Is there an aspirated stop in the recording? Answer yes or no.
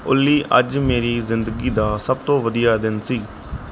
no